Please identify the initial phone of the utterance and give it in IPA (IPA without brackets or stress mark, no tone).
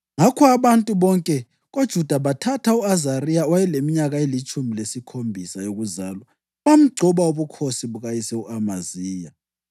ŋ